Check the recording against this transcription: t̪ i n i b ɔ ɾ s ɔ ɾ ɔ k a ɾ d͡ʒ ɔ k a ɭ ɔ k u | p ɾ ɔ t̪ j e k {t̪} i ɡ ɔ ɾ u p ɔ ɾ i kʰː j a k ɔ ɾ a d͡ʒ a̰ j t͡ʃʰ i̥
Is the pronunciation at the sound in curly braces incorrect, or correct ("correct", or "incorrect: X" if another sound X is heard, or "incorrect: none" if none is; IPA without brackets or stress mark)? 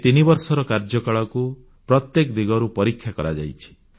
incorrect: d̪